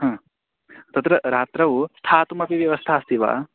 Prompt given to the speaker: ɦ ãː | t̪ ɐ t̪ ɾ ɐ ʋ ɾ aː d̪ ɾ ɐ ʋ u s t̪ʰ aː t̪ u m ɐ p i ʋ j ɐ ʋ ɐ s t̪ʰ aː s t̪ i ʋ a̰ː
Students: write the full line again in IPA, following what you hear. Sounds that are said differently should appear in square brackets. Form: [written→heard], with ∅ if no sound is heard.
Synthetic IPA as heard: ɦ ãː | t̪ ɐ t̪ ɾ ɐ [ʋ→∅] ɾ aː [d̪→t̪] ɾ ɐ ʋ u s t̪ʰ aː t̪ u m ɐ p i ʋ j ɐ ʋ ɐ s t̪ʰ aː s t̪ i ʋ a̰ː